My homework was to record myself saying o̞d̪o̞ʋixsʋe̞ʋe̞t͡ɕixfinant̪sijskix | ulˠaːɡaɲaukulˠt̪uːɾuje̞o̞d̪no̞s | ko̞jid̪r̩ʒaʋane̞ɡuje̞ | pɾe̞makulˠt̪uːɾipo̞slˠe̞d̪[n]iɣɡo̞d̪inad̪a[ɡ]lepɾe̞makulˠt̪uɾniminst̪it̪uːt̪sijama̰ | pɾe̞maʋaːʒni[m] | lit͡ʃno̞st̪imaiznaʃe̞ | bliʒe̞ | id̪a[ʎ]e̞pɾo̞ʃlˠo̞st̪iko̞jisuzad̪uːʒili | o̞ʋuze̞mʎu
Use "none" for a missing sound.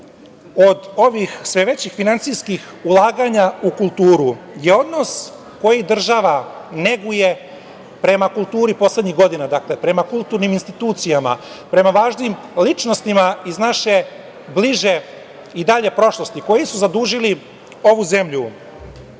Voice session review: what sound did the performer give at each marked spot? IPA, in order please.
ɲ, k, m, ʎ

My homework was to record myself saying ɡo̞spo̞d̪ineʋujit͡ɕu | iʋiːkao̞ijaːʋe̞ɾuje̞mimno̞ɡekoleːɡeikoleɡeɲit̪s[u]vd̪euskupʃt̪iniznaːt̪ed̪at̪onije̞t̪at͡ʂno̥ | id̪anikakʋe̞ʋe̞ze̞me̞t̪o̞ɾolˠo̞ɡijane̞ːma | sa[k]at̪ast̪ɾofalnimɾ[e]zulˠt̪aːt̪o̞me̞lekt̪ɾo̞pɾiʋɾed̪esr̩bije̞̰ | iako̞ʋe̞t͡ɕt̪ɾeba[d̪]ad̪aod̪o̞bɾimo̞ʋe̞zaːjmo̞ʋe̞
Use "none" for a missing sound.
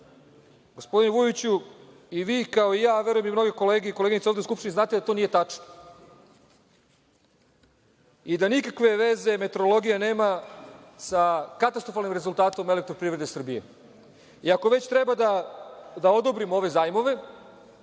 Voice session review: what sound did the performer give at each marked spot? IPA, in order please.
o, k, e, d̪

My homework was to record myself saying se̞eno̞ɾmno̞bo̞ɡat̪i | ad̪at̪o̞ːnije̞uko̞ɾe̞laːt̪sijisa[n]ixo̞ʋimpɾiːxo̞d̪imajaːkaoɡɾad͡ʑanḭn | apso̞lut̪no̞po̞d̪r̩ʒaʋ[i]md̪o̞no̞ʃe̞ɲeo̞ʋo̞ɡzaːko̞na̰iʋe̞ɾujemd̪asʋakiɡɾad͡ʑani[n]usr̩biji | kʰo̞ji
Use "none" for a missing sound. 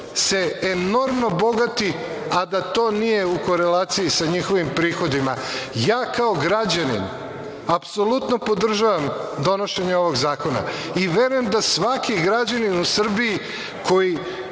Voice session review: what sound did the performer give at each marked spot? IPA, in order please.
ɲ, a, n

